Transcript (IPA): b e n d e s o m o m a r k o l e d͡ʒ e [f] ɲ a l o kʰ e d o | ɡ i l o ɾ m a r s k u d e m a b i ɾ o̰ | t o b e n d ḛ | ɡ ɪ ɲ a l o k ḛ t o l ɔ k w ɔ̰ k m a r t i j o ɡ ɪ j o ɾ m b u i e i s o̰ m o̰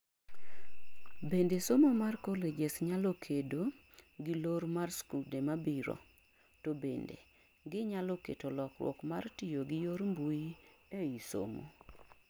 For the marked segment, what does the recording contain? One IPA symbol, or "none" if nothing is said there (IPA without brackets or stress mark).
s